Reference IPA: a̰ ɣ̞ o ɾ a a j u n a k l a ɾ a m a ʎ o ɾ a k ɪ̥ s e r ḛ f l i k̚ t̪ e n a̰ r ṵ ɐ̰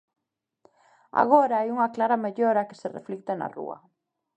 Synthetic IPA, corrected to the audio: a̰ ɣ̞ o ɾ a a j u ŋ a k l a ɾ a m e ʎ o ɾ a k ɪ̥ s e r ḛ f l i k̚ t̪ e n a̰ r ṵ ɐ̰